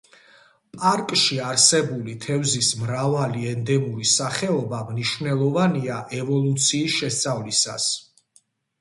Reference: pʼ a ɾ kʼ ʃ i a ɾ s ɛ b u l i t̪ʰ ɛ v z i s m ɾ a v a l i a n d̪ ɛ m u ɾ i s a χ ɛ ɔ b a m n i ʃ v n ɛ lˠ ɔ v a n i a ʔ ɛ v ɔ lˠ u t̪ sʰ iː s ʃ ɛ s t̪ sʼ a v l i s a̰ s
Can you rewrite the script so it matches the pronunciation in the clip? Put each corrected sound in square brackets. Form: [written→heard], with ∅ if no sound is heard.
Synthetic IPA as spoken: pʼ a ɾ kʼ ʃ i a ɾ s ɛ b u l i t̪ʰ ɛ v z i s m ɾ a v a l i [a→ɛ] n d̪ ɛ m u ɾ i s a χ ɛ ɔ b a m n i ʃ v n ɛ lˠ ɔ v a n i a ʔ ɛ v ɔ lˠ u t̪ sʰ iː s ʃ ɛ s t̪ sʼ a v l i s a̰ s